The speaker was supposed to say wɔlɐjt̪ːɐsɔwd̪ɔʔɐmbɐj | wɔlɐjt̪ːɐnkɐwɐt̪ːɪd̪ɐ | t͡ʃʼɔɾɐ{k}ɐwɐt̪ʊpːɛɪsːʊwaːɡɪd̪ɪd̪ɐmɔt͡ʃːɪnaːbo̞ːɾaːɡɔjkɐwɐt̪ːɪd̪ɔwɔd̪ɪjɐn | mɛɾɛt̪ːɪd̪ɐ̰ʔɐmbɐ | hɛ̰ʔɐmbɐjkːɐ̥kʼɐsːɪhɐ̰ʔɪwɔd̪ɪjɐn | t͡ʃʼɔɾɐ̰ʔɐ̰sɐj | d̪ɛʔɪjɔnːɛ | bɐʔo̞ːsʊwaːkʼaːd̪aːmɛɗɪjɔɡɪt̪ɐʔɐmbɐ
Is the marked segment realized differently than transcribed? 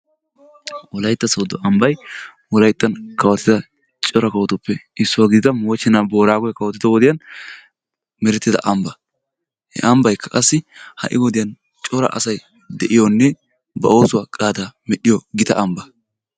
no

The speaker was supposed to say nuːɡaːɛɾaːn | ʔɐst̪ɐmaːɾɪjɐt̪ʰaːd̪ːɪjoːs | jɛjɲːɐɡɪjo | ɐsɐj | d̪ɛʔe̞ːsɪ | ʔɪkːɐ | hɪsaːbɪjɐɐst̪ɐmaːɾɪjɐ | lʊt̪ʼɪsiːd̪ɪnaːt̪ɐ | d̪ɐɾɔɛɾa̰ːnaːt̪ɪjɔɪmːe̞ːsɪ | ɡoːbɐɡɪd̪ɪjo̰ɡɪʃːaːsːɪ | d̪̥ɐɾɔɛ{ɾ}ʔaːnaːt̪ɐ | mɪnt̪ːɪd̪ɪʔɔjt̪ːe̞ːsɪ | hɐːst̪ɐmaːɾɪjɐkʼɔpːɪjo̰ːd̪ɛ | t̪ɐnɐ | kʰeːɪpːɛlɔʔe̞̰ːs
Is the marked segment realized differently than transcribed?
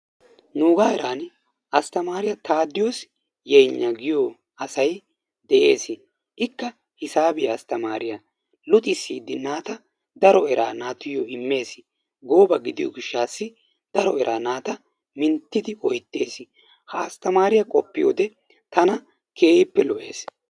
no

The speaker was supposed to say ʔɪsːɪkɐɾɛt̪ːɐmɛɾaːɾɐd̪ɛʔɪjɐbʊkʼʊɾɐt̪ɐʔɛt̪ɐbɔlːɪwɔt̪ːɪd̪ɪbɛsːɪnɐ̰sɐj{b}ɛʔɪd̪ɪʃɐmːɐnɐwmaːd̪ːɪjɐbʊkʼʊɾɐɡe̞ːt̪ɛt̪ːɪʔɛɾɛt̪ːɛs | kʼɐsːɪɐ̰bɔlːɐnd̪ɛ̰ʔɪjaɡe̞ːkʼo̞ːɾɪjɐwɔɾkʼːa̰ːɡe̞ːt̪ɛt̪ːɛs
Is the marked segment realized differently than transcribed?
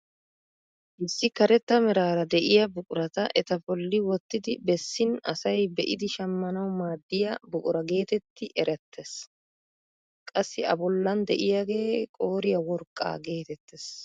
no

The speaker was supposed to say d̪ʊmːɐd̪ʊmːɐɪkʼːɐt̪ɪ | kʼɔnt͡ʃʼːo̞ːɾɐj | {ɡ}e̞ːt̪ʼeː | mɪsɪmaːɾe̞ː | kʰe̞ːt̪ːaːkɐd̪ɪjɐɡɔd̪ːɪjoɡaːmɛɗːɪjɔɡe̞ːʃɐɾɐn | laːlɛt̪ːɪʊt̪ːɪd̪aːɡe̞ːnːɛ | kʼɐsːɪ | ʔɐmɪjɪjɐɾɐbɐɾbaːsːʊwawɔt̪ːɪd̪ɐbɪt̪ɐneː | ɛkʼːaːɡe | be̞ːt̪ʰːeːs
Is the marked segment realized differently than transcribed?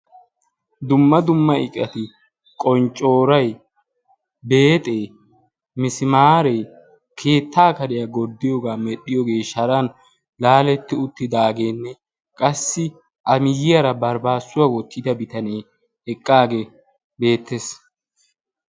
yes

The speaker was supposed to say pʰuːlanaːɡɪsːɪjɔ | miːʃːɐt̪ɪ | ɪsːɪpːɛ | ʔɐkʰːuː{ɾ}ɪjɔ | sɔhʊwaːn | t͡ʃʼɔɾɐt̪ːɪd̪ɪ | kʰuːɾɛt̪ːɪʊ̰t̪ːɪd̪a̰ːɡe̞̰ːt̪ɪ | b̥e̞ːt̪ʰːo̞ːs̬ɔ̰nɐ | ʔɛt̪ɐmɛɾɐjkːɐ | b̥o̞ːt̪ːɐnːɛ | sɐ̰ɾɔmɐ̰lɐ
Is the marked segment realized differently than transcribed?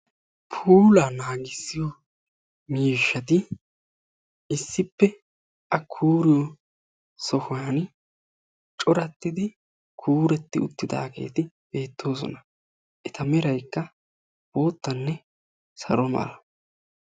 no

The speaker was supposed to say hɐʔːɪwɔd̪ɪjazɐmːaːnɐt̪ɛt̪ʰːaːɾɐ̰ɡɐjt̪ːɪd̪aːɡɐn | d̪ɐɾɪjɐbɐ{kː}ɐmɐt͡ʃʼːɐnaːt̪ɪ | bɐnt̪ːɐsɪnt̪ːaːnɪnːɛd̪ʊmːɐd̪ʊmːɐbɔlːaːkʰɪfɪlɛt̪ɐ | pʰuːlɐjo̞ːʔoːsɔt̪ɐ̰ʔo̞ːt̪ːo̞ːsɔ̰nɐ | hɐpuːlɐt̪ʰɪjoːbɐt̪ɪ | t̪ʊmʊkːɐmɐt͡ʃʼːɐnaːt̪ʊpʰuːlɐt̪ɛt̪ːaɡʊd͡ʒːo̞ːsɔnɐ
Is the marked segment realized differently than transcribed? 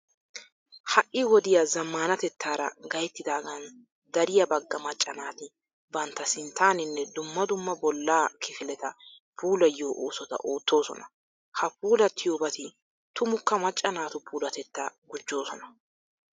yes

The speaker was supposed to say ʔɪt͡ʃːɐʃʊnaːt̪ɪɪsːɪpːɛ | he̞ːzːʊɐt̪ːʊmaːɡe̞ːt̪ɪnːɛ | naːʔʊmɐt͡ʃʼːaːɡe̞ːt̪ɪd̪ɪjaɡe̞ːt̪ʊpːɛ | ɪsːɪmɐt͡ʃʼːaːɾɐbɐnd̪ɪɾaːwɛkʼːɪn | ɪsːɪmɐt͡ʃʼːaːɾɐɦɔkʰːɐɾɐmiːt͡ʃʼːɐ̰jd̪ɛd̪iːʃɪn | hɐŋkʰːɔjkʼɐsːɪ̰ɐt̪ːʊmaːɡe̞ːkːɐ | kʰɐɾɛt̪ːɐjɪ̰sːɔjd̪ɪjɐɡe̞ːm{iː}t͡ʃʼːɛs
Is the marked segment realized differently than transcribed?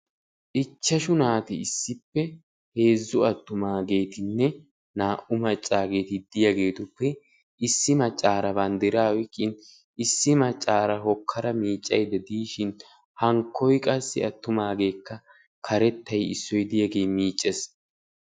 no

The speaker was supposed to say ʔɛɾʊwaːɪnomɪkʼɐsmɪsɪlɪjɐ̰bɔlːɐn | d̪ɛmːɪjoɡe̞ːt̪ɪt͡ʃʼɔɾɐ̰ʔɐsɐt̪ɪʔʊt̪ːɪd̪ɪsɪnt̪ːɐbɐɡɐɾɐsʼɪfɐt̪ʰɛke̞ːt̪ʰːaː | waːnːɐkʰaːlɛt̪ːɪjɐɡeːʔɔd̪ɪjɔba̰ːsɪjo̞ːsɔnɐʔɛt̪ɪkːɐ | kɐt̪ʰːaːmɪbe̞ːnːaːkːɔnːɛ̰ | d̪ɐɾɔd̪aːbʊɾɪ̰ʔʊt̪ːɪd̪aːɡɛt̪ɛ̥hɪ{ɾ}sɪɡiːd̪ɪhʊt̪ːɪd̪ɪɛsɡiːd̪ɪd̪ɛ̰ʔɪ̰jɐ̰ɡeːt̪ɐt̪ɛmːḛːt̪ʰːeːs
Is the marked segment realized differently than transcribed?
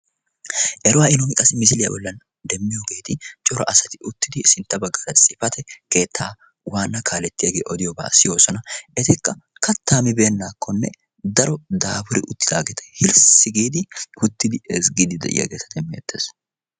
yes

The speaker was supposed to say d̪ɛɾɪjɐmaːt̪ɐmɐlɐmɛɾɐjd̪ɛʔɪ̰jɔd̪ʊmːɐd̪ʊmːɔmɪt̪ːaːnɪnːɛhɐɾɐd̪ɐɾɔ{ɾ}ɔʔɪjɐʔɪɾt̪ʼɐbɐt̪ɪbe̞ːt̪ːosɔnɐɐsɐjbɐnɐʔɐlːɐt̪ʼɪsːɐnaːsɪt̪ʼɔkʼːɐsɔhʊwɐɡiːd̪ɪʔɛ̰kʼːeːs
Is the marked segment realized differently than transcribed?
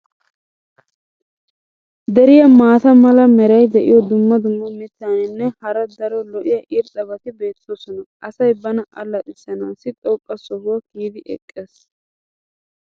yes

